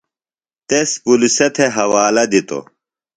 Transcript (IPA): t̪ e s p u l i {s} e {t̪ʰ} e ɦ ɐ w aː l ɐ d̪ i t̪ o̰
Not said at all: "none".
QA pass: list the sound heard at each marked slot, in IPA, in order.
s, t̪ʰ

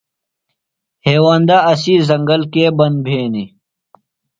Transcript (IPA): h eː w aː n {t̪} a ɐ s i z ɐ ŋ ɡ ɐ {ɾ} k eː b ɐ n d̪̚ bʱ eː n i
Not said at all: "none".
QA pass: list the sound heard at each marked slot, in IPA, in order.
d̪, l

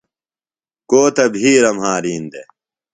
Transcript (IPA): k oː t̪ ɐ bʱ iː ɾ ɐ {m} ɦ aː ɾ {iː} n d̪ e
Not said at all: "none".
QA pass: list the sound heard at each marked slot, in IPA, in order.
m, iː

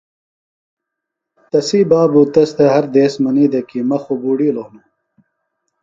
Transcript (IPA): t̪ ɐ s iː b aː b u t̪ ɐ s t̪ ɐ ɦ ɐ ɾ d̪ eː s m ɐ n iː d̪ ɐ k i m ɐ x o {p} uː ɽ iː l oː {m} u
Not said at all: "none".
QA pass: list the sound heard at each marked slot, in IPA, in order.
b, n

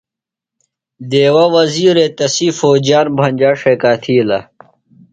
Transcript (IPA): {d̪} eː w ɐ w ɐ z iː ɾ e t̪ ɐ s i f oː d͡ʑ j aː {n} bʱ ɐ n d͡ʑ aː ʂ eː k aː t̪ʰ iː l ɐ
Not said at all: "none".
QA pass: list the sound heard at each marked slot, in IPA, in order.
d̪, n

